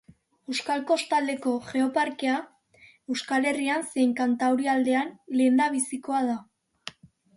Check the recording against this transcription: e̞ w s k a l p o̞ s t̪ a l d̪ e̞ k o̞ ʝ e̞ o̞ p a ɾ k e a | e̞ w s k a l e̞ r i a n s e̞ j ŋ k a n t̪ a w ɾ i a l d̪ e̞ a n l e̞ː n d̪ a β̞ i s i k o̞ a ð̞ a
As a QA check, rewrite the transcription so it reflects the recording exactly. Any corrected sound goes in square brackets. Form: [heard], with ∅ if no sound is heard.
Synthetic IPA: e̞ w s k a l [k] o̞ s t̪ a l d̪ e̞ k o̞ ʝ e̞ o̞ p a ɾ k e a | e̞ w s k a l e̞ r i a n s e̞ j ŋ k a n t̪ a w ɾ i a l d̪ e̞ a n l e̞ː n d̪ a β̞ i s i k o̞ a ð̞ a